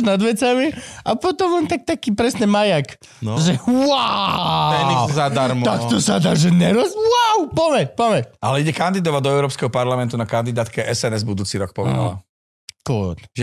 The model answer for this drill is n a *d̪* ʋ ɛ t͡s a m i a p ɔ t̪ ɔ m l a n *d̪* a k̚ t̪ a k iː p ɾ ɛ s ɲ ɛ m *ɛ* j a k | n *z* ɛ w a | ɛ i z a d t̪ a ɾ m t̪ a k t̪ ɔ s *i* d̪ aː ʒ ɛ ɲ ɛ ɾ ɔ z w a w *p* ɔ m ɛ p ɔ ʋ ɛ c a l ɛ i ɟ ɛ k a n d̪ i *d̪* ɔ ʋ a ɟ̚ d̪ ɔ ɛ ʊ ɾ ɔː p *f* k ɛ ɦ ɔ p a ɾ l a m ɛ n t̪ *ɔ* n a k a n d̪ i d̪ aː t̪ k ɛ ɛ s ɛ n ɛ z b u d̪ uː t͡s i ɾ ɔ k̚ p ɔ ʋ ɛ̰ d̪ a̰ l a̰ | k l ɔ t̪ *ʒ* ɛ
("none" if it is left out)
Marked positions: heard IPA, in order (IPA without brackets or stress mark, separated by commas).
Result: d̪, t̪, a, ʒ, a, p, d̪, s, u, ʒ